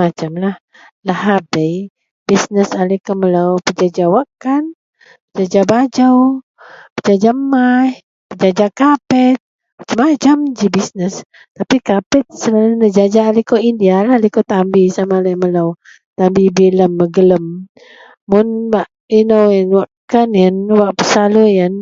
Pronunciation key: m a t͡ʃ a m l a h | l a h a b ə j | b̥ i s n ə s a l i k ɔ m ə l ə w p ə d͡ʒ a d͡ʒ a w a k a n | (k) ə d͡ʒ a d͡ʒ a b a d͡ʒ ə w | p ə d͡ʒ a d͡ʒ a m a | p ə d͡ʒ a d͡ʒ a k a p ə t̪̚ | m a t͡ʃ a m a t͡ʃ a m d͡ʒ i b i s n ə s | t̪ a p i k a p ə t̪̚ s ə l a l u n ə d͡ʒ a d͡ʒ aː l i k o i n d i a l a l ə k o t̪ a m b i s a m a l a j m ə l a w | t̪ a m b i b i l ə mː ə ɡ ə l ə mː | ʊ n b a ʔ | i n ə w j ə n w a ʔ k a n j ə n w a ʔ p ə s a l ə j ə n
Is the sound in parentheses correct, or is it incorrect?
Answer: incorrect